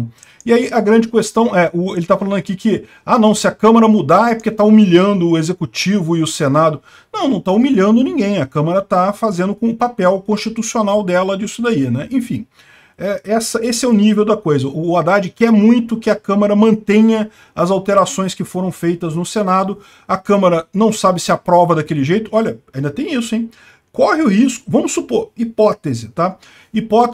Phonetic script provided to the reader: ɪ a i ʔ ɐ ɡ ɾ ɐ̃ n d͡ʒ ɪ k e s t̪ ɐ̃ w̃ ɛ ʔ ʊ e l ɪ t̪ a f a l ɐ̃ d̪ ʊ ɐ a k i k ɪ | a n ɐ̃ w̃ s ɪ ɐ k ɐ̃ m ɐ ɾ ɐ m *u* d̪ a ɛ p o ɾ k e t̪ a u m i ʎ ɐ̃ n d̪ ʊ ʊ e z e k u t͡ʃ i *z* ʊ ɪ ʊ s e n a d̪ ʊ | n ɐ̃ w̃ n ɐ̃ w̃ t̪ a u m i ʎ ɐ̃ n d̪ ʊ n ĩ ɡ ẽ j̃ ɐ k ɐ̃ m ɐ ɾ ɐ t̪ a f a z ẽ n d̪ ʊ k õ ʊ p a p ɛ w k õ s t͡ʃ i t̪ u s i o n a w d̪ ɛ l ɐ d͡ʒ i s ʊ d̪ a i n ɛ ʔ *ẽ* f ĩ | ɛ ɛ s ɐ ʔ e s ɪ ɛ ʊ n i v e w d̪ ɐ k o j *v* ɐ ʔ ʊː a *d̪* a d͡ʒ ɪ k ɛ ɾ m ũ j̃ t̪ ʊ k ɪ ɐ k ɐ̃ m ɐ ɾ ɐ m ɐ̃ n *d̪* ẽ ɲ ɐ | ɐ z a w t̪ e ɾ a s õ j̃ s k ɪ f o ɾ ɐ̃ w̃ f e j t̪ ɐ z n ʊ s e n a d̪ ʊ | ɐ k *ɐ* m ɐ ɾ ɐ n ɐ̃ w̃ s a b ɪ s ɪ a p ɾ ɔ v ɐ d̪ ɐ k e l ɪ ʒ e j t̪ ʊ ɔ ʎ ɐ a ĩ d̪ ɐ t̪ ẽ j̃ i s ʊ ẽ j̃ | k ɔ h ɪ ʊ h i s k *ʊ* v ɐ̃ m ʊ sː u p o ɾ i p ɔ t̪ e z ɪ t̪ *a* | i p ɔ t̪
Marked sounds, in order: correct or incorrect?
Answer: correct, incorrect, correct, incorrect, correct, incorrect, incorrect, correct, correct

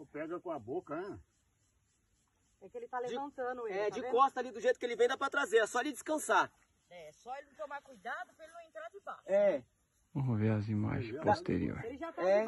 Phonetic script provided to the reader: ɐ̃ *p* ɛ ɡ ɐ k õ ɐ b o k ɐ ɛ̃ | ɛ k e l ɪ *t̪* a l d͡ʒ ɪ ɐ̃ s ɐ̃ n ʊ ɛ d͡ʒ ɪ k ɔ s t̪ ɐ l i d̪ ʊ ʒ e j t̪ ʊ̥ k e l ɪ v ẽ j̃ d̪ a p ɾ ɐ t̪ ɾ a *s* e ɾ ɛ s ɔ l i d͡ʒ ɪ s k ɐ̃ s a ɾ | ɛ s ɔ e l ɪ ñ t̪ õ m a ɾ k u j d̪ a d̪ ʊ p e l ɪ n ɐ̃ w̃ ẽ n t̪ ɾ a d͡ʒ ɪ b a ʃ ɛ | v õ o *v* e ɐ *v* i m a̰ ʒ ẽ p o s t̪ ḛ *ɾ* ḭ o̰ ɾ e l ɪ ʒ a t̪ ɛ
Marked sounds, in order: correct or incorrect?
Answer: correct, correct, incorrect, correct, incorrect, correct

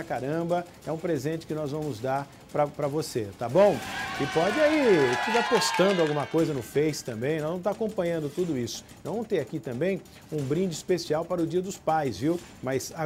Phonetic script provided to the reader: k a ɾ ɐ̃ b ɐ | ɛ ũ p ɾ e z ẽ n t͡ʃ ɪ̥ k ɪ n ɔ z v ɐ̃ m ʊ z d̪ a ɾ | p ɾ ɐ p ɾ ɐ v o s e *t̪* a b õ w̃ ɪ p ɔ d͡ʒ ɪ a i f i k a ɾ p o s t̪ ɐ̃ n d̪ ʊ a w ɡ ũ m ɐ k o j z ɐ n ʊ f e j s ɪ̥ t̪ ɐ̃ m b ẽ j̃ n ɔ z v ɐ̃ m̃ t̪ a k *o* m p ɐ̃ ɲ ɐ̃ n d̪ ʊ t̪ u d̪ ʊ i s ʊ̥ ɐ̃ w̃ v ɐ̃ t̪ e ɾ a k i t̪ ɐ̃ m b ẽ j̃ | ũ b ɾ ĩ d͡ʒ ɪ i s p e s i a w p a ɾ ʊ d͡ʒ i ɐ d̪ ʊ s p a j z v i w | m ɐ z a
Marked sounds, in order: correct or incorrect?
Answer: correct, incorrect

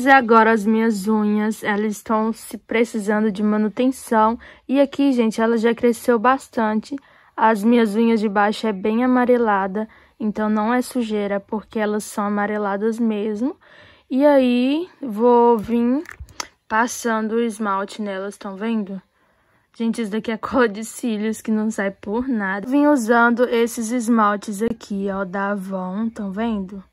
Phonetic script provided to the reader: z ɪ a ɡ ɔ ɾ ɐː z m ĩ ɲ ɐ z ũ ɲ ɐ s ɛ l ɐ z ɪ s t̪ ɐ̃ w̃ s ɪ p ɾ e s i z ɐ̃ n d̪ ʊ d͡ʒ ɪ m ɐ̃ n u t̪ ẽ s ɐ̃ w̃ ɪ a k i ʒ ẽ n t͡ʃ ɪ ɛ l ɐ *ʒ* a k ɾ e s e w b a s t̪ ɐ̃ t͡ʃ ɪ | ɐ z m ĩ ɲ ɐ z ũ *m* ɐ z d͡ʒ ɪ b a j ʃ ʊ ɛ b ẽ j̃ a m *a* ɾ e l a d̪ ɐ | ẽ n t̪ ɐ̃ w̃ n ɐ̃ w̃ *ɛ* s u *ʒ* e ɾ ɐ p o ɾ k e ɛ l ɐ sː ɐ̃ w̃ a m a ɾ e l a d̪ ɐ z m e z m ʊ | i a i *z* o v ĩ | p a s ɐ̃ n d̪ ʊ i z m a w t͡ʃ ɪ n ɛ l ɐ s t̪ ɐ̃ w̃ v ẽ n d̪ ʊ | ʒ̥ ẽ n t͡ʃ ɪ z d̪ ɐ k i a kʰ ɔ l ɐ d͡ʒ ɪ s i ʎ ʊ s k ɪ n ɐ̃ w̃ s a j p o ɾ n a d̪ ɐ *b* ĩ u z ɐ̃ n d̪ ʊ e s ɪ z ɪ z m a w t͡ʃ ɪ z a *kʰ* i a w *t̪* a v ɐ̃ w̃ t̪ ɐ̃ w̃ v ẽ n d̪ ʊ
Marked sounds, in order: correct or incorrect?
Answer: correct, incorrect, correct, correct, correct, incorrect, incorrect, correct, incorrect

